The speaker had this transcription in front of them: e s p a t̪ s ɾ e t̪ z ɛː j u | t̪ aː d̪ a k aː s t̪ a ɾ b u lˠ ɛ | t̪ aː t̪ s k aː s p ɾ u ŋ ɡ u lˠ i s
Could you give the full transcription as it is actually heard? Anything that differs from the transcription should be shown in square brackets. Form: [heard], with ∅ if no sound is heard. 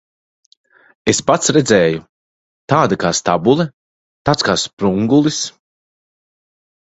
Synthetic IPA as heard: e s p a t̪ s ɾ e [d̪] z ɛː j u | t̪ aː d̪ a k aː s t̪ a [∅] b u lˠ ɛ | t̪ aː t̪ s k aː s p ɾ u ŋ ɡ u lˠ i s